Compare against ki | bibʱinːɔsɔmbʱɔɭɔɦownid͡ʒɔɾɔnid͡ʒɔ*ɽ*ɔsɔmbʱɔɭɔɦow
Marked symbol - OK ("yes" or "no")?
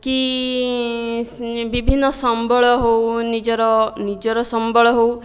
no